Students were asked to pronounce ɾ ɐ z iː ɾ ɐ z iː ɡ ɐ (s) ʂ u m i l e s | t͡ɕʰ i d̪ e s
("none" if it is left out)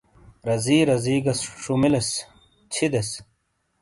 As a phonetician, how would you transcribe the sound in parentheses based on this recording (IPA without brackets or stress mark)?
s